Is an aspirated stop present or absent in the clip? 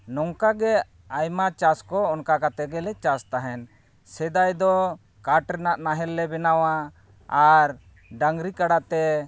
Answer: absent